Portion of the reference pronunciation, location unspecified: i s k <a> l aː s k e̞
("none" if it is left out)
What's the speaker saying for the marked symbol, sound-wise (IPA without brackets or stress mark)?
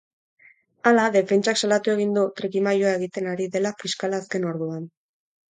a